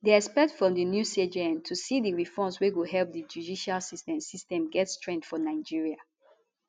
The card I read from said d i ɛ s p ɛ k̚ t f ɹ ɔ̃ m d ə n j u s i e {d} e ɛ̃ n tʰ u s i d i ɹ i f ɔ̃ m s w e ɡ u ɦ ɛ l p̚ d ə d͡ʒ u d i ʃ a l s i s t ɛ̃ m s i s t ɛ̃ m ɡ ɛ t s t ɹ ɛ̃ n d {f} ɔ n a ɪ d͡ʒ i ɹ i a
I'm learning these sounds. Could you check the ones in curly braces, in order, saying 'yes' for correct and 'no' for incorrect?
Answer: no, yes

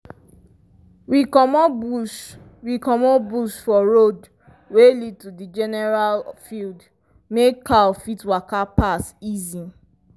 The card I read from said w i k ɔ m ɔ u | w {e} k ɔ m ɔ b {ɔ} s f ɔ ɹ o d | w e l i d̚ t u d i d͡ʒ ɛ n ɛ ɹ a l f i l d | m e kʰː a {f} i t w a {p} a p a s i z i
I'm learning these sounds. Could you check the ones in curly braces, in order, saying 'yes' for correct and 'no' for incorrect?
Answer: no, no, yes, no

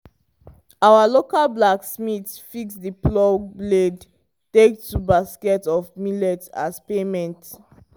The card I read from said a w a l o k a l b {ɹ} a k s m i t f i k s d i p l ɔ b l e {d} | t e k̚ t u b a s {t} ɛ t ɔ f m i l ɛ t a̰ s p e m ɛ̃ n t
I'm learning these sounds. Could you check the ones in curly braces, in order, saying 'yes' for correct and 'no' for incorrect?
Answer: no, yes, no

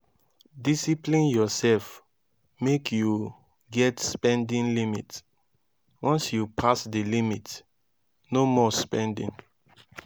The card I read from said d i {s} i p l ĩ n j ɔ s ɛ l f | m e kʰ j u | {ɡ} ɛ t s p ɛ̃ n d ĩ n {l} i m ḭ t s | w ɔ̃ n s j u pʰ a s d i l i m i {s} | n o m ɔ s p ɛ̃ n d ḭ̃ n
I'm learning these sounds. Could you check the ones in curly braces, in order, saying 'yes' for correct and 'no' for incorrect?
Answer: yes, yes, yes, no

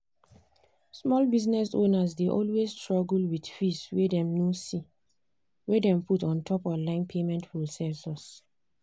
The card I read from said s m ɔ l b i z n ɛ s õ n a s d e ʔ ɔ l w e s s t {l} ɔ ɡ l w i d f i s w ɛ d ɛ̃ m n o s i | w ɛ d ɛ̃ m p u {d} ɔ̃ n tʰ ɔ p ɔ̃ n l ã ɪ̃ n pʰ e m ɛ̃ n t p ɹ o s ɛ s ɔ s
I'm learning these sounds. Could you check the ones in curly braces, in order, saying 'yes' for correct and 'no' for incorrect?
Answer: no, no

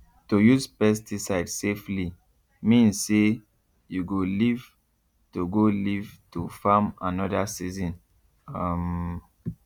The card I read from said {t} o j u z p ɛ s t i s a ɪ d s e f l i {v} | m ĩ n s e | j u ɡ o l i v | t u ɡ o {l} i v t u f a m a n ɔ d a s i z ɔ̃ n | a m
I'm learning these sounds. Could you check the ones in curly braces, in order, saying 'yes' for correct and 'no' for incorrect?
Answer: yes, no, yes

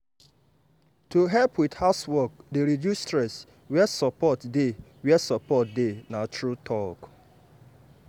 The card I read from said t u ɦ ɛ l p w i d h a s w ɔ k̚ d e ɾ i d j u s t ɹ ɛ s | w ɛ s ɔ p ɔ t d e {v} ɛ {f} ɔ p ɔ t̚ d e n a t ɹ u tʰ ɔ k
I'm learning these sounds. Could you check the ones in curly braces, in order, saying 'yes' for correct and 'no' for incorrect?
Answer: no, no

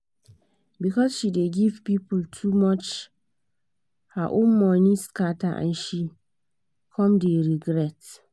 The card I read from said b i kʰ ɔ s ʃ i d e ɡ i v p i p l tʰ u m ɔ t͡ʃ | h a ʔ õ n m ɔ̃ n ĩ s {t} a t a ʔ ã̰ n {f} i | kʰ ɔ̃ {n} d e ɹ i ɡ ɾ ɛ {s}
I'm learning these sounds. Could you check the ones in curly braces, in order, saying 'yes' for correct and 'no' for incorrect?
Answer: no, no, no, no

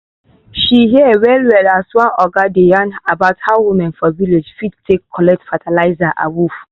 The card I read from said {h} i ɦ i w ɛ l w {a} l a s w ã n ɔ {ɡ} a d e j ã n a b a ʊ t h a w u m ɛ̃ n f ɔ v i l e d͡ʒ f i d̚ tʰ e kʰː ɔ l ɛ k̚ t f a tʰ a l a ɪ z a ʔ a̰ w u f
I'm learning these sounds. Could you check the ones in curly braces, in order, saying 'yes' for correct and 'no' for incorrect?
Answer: no, no, yes

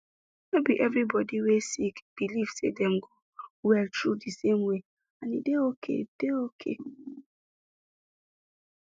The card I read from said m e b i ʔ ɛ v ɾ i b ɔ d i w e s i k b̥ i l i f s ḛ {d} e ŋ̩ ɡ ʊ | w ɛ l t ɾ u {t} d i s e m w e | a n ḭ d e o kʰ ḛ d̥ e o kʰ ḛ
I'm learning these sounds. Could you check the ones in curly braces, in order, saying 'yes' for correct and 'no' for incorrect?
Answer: yes, no

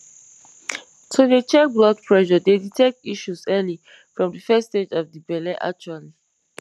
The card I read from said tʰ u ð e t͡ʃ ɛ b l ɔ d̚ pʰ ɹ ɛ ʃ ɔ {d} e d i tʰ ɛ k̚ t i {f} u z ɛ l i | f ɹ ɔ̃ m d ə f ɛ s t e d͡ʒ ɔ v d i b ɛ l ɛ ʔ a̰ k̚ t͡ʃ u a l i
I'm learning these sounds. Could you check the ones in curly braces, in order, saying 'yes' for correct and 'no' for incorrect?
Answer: yes, no

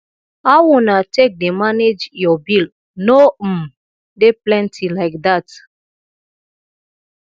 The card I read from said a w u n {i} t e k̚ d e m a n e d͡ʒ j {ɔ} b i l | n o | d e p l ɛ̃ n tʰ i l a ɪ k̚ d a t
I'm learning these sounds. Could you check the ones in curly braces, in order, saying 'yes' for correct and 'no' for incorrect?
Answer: no, yes

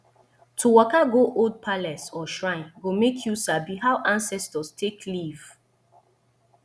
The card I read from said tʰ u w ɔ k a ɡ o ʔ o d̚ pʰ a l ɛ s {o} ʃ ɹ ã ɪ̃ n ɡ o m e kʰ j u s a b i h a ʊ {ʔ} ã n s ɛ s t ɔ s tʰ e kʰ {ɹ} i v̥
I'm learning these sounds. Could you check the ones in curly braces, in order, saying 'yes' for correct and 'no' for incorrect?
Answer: no, yes, no

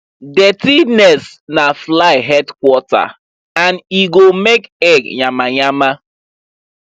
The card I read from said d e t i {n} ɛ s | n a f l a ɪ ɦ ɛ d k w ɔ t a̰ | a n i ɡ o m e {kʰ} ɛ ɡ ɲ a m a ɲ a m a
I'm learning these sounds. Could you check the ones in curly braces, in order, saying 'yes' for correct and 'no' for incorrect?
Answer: yes, no

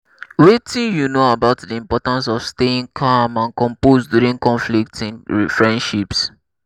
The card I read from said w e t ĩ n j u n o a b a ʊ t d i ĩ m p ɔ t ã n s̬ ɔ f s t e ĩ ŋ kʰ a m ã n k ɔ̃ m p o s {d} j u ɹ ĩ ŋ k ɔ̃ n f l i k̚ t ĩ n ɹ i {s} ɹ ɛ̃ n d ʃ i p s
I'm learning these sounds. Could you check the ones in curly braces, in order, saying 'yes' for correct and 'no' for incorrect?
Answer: yes, no

